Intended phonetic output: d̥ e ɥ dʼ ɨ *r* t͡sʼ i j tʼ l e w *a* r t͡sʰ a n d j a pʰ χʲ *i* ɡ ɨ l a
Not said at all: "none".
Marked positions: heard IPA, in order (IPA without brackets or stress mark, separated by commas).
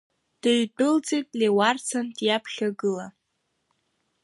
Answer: l, a, a